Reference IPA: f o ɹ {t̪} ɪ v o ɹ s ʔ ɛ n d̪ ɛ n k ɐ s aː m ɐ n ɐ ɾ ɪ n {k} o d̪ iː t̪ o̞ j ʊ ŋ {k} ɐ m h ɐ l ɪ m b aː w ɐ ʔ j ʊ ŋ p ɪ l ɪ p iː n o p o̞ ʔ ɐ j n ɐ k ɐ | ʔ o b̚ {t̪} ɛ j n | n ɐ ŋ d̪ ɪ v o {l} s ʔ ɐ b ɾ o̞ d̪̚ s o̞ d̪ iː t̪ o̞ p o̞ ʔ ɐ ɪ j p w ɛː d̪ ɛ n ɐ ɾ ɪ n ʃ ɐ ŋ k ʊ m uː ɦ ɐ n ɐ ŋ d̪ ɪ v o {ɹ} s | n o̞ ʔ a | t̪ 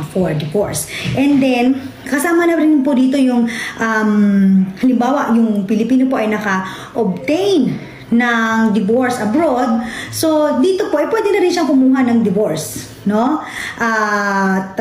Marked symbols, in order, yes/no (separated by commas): no, no, no, yes, no, yes